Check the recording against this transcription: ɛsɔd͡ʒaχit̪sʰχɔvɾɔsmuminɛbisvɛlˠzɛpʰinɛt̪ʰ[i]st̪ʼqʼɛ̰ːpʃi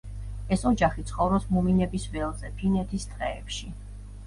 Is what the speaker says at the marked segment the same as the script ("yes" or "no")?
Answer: yes